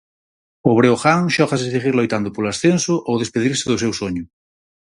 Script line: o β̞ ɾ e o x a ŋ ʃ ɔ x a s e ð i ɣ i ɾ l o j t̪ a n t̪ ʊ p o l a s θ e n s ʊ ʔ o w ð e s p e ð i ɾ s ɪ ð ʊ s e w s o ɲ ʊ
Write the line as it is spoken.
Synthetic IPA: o β̞ ɾ e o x a ŋ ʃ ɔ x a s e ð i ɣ i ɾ l o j t̪ a n d̪ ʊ p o l a s θ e n s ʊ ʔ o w ð e s p e ð i ɾ s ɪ ð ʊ s e w s o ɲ ʊ